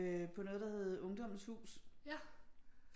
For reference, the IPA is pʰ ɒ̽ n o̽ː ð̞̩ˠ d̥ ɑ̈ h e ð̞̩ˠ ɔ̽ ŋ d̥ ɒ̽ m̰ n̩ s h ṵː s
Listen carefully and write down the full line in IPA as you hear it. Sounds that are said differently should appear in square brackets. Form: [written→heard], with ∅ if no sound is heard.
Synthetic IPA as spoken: pʰ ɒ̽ n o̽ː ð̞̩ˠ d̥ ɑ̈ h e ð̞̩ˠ ɔ̽ ŋ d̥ ɒ̽ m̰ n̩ s h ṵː s